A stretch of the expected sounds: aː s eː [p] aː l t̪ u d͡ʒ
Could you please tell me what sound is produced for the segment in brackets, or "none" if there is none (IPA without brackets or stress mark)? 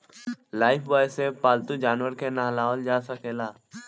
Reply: p